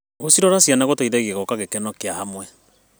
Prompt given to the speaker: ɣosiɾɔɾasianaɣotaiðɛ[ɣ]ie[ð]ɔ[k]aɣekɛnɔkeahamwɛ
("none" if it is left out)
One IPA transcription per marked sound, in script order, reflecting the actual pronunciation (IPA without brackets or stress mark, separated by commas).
ɣ, ɣ, k